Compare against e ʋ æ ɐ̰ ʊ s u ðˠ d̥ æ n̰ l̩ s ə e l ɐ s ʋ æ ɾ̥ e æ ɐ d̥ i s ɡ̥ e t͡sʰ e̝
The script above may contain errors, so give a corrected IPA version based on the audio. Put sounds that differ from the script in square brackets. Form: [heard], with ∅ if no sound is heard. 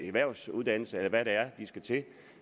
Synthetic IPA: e ʋ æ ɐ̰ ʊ s u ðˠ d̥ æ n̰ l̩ s ə e l ɐ [∅] ʋ æ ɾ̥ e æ ɐ d̥ i s ɡ̥ [æ] t͡sʰ e̝